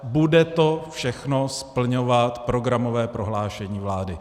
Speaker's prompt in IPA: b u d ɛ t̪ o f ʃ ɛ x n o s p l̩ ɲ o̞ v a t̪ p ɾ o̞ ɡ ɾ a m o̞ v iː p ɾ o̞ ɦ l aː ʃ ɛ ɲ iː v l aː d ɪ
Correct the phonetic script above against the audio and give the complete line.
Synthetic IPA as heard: b u d ɛ t̪ o f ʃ ɛ x n o s p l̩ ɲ o̞ v a t̪ p ɾ o̞ ɡ ɾ a m o̞ v ɛː p ɾ o̞ ɦ l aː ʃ ɛ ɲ iː v l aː d ɪ